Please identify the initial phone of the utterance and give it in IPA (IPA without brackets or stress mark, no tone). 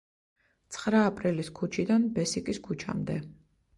t̪